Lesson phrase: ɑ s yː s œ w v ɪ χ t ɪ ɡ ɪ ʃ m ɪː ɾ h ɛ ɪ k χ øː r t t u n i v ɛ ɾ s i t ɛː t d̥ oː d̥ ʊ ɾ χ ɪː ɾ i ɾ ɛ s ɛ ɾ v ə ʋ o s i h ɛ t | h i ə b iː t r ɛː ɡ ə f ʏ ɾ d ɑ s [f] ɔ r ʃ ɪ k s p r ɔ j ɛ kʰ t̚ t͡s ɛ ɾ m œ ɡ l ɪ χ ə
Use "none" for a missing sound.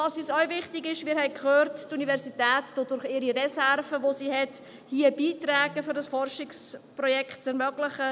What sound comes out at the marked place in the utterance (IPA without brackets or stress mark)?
f